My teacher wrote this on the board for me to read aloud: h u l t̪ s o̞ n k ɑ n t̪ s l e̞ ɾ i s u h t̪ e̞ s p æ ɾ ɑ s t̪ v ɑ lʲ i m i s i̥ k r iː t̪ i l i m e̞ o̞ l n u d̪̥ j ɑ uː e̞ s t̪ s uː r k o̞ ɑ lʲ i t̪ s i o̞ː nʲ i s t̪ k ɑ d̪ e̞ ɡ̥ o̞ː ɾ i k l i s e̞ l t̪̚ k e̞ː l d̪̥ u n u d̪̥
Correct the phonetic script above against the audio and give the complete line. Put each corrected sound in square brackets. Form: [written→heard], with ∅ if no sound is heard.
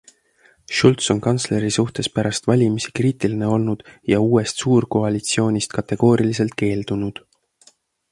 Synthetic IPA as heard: [h→ʃ] u l t̪ s o̞ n k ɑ n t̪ s l e̞ ɾ i s u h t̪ e̞ s p æ ɾ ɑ s t̪ v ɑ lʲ i m i s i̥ k r iː t̪ i l i [m→n] e̞ o̞ l n u d̪̥ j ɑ uː e̞ s t̪ s uː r k o̞ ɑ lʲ i t̪ s i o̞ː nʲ i s t̪ k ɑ [d̪→t̪] e̞ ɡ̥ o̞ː ɾ i [k→∅] l i s e̞ l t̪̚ k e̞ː l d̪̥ u n u d̪̥